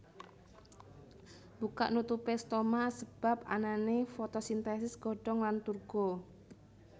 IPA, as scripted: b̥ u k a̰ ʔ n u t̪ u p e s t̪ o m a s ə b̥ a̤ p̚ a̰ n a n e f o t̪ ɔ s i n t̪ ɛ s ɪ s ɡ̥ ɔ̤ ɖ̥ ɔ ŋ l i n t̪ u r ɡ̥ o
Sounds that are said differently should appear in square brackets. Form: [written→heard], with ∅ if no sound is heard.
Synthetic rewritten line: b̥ u k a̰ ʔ n u t̪ u p e s t̪ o m a s ə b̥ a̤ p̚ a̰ n a n e f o t̪ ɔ s i n t̪ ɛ s ɪ s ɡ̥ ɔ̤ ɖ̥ ɔ ŋ l [i→a] n t̪ u r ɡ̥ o